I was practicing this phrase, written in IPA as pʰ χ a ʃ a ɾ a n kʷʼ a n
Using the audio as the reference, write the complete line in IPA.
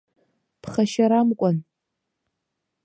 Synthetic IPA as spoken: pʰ χ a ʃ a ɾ a m kʷʼ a n